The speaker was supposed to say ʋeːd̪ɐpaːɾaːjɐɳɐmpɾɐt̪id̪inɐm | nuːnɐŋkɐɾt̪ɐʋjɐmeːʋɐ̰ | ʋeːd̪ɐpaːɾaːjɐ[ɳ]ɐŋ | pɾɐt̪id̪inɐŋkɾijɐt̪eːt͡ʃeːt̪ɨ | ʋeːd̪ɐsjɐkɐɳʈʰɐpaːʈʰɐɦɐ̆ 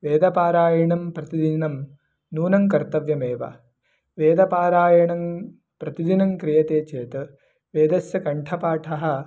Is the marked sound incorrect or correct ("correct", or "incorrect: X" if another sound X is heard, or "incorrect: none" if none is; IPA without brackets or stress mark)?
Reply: correct